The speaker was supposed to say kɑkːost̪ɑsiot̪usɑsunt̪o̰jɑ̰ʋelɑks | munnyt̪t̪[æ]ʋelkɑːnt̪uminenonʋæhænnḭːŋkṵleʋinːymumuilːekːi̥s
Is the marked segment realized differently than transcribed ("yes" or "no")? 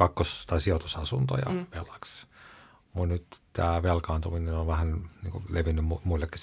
yes